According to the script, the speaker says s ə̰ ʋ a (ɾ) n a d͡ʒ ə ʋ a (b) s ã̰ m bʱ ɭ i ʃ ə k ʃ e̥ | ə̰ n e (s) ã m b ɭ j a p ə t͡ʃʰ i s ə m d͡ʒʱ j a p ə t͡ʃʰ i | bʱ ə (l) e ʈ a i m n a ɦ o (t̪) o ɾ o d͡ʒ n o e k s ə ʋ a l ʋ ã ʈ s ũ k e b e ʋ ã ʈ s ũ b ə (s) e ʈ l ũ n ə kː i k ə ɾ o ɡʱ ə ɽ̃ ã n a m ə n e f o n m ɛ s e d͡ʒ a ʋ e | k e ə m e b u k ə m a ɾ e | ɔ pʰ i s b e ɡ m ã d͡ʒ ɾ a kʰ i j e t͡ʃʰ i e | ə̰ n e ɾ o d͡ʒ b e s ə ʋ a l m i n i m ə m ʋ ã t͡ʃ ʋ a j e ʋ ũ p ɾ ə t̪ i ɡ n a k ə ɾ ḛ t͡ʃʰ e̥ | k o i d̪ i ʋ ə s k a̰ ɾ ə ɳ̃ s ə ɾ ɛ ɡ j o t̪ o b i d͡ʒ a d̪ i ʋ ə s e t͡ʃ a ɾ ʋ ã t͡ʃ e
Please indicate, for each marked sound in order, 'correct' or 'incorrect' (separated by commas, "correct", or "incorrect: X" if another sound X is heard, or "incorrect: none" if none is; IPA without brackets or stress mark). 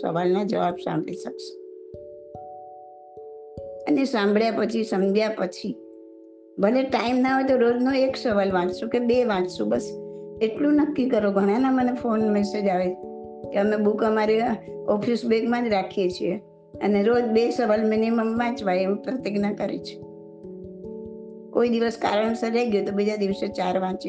incorrect: l, correct, correct, correct, correct, correct